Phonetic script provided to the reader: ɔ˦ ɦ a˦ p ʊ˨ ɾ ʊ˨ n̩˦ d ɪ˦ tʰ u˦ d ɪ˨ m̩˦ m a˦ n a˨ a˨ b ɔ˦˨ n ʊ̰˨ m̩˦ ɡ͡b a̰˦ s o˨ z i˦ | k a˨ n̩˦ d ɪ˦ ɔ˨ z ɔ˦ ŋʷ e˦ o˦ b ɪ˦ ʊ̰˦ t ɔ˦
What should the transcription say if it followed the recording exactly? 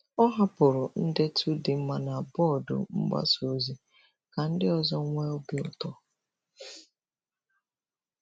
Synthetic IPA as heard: ɔ˦ ɦ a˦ p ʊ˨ ɾ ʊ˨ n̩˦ d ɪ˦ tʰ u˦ d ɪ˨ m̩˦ m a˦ n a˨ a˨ b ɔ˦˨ d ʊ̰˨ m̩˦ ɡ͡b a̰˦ s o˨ z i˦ | k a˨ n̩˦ d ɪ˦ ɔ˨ z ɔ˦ ŋʷ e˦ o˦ b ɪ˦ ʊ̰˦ t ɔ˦